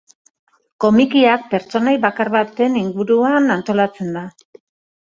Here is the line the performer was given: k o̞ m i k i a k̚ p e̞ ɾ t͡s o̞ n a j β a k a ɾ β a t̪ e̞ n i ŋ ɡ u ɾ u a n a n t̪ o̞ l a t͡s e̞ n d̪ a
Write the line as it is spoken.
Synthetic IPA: k o̞ m i k i a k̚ p e̞ ɾ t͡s o̞ n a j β a k a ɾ β a t̪ e̞ n i ŋ ɡ u ɾ u a n a n t̪ o̞ l a t͡s e̞ n d̪ a